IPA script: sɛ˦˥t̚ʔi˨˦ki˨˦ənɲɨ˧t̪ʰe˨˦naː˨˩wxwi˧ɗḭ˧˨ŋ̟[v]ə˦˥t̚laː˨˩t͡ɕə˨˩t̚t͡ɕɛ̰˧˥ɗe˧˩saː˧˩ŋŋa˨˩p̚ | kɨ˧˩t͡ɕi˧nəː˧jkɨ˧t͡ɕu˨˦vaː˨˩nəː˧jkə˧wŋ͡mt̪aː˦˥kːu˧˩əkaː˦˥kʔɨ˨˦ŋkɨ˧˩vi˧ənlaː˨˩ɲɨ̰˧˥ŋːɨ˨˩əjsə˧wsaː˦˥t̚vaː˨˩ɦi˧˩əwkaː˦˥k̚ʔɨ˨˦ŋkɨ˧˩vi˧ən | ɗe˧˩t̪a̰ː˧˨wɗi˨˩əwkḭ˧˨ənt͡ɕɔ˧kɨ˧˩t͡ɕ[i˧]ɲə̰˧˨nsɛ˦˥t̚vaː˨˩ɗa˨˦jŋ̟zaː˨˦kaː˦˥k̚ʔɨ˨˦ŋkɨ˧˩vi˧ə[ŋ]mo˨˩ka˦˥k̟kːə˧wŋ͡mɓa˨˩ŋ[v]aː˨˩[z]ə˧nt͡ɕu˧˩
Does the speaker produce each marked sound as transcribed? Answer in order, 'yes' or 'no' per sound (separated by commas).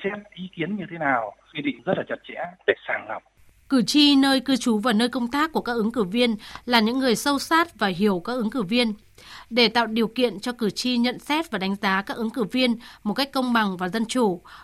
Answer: no, yes, no, yes, yes